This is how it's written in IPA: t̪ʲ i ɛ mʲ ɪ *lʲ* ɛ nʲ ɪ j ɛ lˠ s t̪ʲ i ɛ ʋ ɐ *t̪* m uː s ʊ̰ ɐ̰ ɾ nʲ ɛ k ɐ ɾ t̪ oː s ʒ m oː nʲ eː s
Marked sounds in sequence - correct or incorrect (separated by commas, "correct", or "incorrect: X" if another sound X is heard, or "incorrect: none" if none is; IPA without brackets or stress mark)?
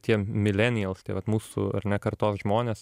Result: correct, correct